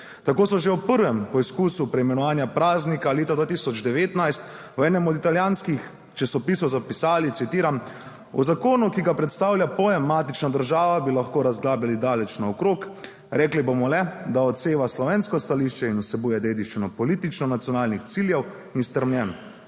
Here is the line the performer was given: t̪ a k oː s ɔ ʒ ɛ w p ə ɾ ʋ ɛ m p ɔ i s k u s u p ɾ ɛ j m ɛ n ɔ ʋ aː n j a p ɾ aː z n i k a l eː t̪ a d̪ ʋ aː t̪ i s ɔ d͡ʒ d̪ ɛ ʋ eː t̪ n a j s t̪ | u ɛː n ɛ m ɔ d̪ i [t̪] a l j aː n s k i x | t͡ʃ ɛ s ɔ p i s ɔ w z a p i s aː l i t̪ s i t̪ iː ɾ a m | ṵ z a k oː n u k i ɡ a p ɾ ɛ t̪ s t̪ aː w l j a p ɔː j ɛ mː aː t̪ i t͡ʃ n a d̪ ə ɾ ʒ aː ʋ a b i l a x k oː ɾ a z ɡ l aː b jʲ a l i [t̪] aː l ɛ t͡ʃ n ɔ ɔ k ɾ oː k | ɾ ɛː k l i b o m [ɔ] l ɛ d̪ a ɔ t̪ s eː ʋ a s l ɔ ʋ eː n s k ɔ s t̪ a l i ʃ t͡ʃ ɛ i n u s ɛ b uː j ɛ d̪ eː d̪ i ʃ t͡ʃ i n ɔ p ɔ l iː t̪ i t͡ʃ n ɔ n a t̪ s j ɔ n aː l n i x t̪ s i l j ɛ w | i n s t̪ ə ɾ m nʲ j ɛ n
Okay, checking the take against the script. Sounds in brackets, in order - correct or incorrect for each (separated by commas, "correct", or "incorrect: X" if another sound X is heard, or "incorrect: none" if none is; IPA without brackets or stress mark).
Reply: correct, incorrect: d̪, correct